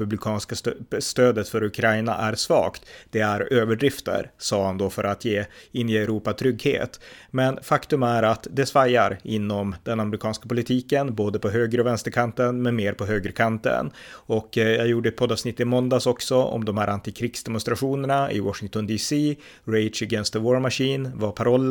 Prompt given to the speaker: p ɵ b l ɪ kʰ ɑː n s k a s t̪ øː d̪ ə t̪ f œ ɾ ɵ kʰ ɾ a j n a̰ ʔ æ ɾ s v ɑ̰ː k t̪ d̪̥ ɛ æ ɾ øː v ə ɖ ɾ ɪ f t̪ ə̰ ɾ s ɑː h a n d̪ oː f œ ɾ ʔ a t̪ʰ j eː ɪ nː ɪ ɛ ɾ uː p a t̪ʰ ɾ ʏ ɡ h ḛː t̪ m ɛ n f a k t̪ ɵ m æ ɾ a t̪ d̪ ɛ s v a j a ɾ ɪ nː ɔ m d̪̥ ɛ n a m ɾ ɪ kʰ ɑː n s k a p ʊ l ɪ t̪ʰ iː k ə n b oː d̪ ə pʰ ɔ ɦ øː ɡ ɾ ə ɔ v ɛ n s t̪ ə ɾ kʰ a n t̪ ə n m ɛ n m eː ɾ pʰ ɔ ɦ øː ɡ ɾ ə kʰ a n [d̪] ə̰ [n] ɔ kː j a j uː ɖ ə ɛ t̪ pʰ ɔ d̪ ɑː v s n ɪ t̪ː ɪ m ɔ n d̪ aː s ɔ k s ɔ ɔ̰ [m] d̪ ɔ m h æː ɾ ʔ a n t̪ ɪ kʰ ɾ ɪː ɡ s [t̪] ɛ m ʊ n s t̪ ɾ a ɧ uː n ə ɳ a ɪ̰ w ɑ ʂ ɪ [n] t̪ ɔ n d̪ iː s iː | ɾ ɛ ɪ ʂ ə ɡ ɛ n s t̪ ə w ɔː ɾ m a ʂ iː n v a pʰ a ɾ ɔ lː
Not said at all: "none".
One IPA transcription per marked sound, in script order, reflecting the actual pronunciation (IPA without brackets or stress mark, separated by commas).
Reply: t̪, n, m, d̪, ŋ